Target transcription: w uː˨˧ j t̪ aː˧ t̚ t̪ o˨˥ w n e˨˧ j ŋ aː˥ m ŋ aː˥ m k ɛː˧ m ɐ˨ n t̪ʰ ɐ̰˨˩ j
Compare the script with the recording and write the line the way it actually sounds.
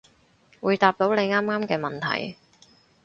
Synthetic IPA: w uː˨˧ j t̪ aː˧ p̚ t̪ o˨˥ w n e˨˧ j ŋ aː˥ m ŋ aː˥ m k ɛː˧ m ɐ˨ n t̪ʰ ɐ̰˨˩ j